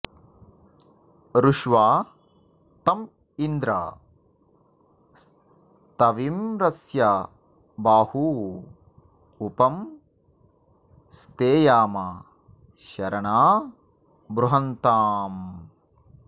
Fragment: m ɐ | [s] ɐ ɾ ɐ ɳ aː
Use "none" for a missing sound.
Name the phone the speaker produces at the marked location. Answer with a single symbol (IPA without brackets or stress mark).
ʃ